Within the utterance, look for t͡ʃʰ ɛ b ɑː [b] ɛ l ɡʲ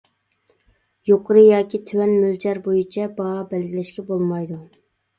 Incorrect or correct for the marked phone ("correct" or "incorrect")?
correct